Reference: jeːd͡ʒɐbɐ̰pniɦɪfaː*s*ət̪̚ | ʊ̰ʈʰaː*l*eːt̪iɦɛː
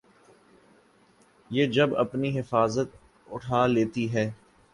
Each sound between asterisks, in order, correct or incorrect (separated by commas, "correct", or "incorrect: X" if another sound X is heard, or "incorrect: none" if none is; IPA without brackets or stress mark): incorrect: z, correct